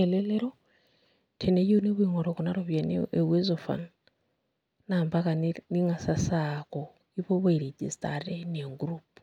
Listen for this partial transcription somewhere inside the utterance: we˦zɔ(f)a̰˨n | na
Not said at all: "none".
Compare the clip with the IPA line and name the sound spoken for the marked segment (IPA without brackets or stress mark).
f